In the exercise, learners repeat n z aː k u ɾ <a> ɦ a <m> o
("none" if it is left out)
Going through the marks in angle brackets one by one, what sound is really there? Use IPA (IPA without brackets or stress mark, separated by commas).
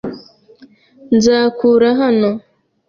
a, n